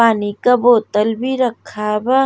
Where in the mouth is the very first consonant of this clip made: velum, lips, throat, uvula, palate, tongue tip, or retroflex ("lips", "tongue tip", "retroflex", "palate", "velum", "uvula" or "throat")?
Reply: tongue tip